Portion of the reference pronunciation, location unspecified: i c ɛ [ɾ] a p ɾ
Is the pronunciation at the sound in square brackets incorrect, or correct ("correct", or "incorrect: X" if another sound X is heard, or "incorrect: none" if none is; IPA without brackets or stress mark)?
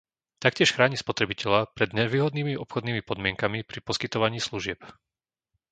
incorrect: ʎ